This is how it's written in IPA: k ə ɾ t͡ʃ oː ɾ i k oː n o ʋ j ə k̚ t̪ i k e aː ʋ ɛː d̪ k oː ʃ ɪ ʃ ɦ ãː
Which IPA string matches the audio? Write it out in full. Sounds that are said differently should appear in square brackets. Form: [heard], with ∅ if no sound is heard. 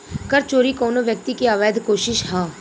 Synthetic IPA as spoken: k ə ɾ t͡ʃ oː ɾ i k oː n o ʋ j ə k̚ t̪ i k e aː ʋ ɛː d̪ k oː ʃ ɪ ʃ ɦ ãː